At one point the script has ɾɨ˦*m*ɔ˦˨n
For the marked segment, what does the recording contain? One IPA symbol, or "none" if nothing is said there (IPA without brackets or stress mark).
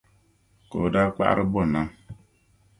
b